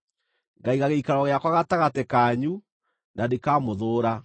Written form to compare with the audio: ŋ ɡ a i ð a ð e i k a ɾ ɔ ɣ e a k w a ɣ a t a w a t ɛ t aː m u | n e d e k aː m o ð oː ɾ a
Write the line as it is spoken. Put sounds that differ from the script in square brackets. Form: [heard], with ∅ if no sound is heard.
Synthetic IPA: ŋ ɡ a i [ɣ] a [ɣ] e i k a ɾ ɔ ɣ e a k w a ɣ a t a [ɣ] a t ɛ [k] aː [ɲ] u | n [a] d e k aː m o ð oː ɾ a